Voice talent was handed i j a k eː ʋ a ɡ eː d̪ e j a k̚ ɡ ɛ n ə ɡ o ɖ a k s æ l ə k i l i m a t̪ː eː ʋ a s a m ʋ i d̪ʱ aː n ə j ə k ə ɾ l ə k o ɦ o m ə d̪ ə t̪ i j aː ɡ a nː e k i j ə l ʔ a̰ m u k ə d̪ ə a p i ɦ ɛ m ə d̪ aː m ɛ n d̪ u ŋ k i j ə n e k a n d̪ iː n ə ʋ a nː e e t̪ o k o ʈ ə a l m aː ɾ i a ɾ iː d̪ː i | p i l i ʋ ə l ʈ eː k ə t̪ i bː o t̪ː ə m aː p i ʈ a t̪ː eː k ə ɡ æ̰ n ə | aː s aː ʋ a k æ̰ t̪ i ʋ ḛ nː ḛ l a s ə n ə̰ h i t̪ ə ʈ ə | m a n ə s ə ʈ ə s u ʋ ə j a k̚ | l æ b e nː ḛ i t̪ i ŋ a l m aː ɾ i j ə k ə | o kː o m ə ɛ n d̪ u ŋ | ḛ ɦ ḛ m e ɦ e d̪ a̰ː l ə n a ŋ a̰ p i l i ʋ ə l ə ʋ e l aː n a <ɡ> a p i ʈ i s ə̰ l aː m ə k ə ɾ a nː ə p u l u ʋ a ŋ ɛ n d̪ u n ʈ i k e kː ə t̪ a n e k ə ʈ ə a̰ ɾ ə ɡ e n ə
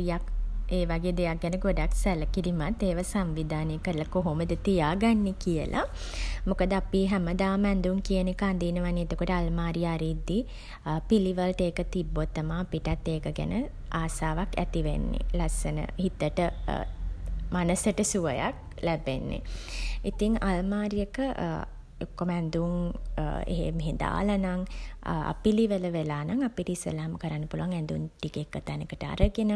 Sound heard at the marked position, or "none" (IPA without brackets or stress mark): ŋ